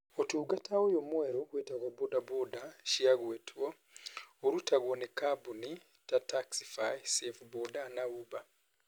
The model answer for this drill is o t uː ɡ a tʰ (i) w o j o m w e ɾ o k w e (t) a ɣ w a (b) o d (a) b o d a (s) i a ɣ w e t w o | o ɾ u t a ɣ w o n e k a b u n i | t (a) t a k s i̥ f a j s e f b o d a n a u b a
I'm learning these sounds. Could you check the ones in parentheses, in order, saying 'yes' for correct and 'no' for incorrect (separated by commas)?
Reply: no, yes, yes, yes, no, yes